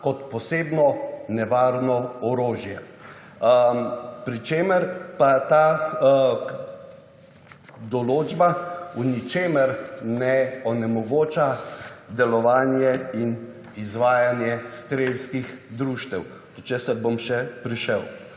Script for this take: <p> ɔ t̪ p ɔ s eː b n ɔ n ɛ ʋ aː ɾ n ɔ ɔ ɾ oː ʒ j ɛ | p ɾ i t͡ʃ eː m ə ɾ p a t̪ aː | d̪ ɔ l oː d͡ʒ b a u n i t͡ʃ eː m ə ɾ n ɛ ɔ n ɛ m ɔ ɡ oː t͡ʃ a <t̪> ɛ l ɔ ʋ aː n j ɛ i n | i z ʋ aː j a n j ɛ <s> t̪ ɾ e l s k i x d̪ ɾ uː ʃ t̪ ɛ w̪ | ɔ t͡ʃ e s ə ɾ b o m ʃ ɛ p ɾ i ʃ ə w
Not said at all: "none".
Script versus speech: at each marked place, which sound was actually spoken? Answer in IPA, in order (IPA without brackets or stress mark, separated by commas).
k, d̪, s